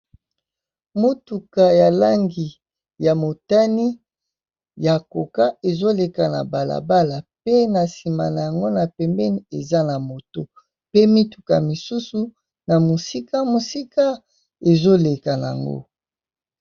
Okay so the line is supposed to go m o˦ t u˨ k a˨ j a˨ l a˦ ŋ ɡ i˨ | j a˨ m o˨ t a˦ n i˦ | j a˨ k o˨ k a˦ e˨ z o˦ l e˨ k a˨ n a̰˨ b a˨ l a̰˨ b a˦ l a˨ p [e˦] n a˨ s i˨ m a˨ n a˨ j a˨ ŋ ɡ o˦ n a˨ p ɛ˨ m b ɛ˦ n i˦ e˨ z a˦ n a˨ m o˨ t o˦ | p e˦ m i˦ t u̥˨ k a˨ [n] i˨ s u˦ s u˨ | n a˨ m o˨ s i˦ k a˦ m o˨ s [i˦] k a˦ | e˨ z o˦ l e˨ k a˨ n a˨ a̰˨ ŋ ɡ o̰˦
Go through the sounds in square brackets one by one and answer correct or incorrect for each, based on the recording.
correct, incorrect, correct

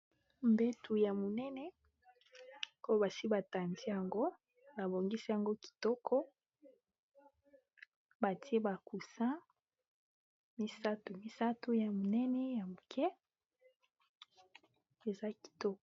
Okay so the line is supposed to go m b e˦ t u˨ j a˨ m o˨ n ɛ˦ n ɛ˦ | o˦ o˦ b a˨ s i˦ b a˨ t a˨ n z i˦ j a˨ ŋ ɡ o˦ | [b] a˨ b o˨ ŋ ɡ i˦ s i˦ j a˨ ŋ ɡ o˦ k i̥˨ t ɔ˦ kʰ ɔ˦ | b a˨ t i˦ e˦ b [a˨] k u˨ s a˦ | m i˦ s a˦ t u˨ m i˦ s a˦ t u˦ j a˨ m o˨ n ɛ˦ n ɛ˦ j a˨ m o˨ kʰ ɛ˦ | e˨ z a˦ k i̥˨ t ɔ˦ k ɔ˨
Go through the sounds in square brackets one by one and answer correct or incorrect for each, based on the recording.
correct, correct

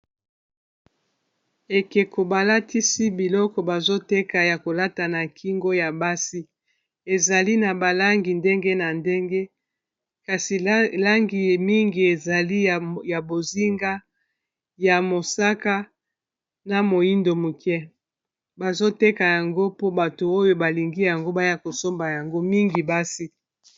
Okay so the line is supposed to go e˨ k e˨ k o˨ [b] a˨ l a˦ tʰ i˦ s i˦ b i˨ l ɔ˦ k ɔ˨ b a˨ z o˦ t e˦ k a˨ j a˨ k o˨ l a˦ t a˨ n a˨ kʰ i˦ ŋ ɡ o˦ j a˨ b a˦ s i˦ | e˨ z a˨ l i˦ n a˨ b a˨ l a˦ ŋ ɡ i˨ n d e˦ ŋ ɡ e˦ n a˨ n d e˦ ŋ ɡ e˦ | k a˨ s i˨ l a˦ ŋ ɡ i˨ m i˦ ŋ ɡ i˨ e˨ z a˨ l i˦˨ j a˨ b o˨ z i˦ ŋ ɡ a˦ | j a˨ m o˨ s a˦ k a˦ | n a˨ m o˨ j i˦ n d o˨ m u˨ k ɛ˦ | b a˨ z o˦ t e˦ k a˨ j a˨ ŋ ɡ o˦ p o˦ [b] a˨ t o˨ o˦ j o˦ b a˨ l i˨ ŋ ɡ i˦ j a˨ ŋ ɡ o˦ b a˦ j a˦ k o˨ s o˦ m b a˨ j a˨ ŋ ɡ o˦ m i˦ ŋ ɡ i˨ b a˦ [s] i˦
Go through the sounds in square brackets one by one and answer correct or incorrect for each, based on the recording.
correct, correct, correct

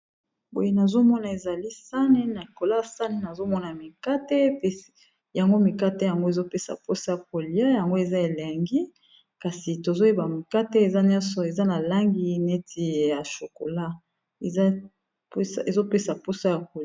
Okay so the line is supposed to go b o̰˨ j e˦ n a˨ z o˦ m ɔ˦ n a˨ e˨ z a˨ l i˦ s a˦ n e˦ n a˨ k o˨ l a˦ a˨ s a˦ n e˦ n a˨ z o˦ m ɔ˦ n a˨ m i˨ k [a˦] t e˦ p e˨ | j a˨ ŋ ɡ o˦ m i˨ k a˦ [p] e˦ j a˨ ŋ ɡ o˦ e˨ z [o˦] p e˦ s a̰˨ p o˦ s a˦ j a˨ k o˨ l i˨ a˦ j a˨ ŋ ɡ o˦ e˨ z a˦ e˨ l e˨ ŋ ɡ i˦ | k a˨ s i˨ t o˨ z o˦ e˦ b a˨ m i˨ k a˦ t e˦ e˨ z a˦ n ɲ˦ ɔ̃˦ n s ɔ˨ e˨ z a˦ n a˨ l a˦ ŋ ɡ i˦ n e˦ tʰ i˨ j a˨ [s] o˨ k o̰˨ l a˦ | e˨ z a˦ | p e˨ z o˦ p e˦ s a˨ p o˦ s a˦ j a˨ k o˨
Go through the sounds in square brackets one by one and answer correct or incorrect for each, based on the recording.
correct, incorrect, correct, incorrect

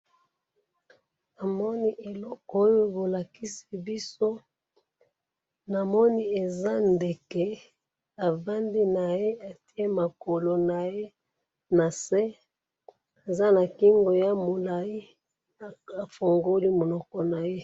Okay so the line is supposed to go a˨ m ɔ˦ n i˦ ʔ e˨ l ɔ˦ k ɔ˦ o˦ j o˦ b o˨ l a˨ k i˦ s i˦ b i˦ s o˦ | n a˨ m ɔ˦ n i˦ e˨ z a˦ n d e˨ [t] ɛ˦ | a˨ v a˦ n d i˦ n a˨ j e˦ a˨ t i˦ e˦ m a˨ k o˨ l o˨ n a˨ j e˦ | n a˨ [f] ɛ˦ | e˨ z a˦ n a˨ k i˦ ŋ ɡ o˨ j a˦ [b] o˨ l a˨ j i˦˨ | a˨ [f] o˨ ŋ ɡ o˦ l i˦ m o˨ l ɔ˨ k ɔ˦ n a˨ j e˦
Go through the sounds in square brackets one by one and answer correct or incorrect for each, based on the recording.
incorrect, incorrect, incorrect, correct

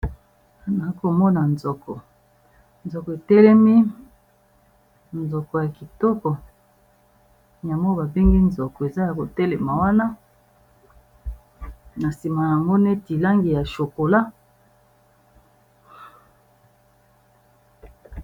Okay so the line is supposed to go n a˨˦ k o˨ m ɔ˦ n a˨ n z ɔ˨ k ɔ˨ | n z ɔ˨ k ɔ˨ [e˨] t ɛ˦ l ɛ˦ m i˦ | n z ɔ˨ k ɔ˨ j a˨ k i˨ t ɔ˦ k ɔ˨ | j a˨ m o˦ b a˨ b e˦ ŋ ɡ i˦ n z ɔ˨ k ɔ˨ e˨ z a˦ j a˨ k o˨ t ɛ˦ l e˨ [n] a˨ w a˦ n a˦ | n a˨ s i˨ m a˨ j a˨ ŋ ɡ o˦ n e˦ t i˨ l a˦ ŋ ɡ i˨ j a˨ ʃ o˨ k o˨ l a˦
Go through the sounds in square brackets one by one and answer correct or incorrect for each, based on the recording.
correct, incorrect

